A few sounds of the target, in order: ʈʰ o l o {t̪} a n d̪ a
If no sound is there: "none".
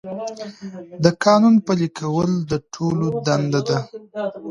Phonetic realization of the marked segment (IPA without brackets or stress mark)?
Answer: d̪